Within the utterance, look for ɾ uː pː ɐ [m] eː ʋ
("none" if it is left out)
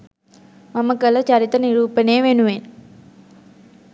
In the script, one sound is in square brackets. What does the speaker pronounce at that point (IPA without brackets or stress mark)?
n